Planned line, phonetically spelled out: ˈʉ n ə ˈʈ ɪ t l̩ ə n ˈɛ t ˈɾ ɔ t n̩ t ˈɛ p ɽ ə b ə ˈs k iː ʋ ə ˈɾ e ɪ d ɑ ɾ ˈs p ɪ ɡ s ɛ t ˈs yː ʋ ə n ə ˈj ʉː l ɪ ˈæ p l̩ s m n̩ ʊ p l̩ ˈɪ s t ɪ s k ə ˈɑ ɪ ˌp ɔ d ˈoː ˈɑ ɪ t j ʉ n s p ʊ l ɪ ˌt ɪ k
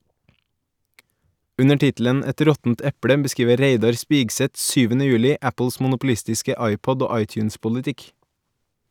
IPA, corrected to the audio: ˈʉ n ə ˈʈ ɪ t l̩ ə n ˈɛ t ˈɾ ɔ t n̩ t ˈɛ p ɽ ə b ə ˈs k iː ʋ ə ˈɾ e ɪ d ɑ ɾ ˈs p ɪ ɡ s ɛ t ˈs yː ʋ ə n ə ˈj ʉː l ɪ ˈæ p l̩ s m n̩ ʊ p l̩ ˈɪ s t ɪ s k ə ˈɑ ɪ ˌp ɔ d ˈoː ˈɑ ɪ t j ʉ n s p ʊ l ɪ ˌt ɪ k

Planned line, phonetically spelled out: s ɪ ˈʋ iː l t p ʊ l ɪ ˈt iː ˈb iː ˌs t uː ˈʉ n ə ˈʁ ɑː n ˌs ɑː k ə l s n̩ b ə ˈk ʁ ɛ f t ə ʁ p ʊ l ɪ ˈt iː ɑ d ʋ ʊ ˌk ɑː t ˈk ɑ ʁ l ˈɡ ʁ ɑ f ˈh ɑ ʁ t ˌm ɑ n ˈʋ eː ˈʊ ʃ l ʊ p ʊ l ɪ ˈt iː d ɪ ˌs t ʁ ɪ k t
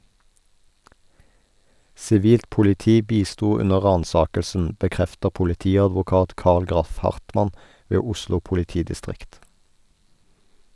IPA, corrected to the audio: s ɪ ˈʋ iː l t p ʊ l ɪ ˈt iː ˈb iː ˌs t uː ˈʉ n ə ˈʁ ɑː n ˌs ɑː k ə l s n̩ b ə ˈk ʁ ɛ f t ə ʁ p ʊ l ɪ ˈt iː ɑ d ʋ ʊ ˌk ɑː t ˈk ɑ ʁ l ˈɡ ʁ ɑ f ˈh ɑ ʁ t ˌm ɑ n ˈʋ eː ˈʊ ʃ l ʊ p ʊ l ɪ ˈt iː d ɪ ˌs t ʁ ɪ k t

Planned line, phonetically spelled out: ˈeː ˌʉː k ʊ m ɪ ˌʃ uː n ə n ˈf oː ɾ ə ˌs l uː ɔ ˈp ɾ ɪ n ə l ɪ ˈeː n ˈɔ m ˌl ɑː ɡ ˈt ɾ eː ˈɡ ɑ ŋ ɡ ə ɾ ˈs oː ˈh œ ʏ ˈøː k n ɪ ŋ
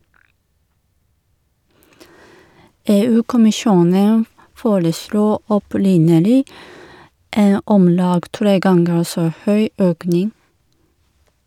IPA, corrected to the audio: ˈeː ˌʉː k ʊ m ɪ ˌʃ uː n ə n ˈf oː ɾ ə ˌs l uː ɔ ˈp ɾ ɪ n ə l ɪ ˈeː n ˈɔ m ˌl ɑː ɡ ˈt ɾ eː ˈɡ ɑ ŋ ɡ ə ɾ ˈs oː ˈh œ ʏ ˈøː k n ɪ ŋ

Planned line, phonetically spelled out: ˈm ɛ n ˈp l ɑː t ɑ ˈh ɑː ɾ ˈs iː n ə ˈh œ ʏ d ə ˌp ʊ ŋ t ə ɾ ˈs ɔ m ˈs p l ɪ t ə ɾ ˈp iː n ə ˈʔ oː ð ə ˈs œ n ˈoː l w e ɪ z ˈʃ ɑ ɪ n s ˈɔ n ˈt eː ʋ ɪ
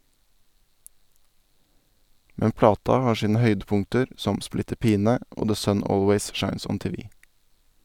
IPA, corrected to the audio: ˈm ɛ n ˈp l ɑː t ɑ ˈh ɑː ɾ ˈʃ iː n ə ˈh œ ʏ d ə ˌp ʊ ŋ t ə ɾ ˈs ɔ m ˈs p l ɪ t ə ɾ ˈp iː n ə ˈʔ oː ð ə ˈs œ n ˈoː l w e ɪ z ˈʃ ɑ ɪ n s ˈɔ n ˈt eː ʋ ɪ

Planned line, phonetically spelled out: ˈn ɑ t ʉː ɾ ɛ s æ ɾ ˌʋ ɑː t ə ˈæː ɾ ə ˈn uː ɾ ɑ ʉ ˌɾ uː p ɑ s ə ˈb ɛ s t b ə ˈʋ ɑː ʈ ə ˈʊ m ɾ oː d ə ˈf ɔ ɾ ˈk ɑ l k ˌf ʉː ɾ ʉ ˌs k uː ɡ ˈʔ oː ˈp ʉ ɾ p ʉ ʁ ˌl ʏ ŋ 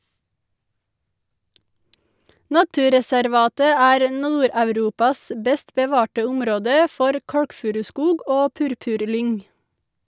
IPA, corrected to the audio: ˈn ɑ t ʉː ɾ ɛ s æ ɾ ˌʋ ɑː t ə ˈæː ɾ ə ˈn uː ɾ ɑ ʉ ˌɾ uː p ɑ s ə ˈb ɛ s t b ə ˈʋ ɑː ʈ ə ˈʊ m ɾ oː d ə ˈf ɔ ɾ ˈk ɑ ɽ k ˌf ʉː ɾ ʉ ˌs k uː ɡ ˈʔ oː ˈp ʉ ɾ p ʉ ʁ ˌl ʏ ŋ

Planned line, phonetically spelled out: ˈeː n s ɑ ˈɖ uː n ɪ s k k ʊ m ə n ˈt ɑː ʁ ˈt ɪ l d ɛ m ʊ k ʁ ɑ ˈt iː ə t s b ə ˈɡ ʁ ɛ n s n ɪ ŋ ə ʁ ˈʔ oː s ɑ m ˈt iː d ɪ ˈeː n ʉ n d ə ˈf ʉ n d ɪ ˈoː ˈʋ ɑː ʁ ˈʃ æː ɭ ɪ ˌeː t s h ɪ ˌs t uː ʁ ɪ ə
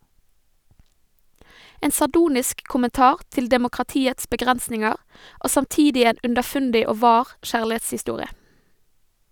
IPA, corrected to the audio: ˈeː n s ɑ ˈɖ uː n ɪ s k k ʊ m ə n ˈt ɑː ʁ ˈt ɪ l d ɛ m ʊ k ʁ ɑ ˈt iː ə t s b ə ˈɡ ʁ ɛ n s n ɪ ŋ ə ʁ ˈʔ oː s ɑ m ˈt iː d ɪ ˈeː n ʉ n d ə ˈf ʉ n d ɪ ˈoː ˈʋ ɑː ʁ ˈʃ æː ɭ ɪ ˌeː t s h ɪ ˌs t uː ʁ ɪ ə

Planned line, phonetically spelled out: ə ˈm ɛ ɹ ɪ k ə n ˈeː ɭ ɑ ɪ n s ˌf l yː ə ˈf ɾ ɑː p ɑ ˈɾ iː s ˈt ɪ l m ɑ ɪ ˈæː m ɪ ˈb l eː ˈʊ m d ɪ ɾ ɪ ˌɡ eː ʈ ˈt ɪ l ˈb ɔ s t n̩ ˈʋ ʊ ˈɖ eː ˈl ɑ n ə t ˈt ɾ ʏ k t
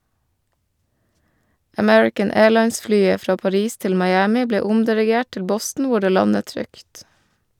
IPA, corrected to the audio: ə ˈm ɛ ɹ ɪ k ə n ˈeː ɭ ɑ ɪ n s ˌf l yː ə ˈf ɾ ɑː p ɑ ˈɾ iː s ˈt ɪ l m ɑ ɪ ˈæː m ɪ ˈb l eː ˈʊ m d ɪ ɾ ɪ ˌɡ eː ʈ ˈt ɪ l ˈb ɔ s t n̩ ˈʋ ʊ ˈɖ eː ˈl ɑ n ə t ˈt ɾ ʏ k t

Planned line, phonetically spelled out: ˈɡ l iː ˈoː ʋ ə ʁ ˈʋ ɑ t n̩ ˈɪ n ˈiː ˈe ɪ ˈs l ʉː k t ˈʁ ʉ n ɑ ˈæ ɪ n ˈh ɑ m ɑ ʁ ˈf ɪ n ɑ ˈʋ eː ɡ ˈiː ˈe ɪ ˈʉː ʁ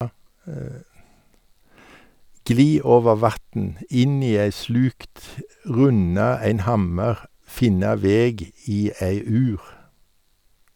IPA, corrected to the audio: ˈɡ l iː ˈoː ʋ ə ʁ ˈʋ ɑ t n̩ ˈɪ n ˈiː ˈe ɪ ˈs l ʉː k t ˈʁ ʉ n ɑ ˈæ ɪ n ˈh ɑ m ə ʁ ˈf ɪ n ɑ ˈʋ eː ɡ ˈiː ˈe ɪ ˈʉː ʁ

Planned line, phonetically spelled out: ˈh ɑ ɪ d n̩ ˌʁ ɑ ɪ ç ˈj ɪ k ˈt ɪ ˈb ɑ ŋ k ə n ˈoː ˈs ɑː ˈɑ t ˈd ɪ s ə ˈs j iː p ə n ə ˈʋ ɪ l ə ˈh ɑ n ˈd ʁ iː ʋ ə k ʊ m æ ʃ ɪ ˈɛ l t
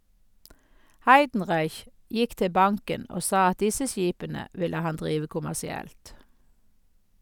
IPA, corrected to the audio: ˈh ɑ ɪ d n̩ ˌʁ ɑ ɪ ç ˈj ɪ k ˈt ɪ ˈb ɑ ŋ k ə n ˈoː ˈs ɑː ˈɑ t ˈd ɪ s ə ˈs j iː p ə n ə ˈʋ ɪ l ə ˈh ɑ n ˈd ʁ iː ʋ ə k ʊ m æ s ɪ ˈɛ l t

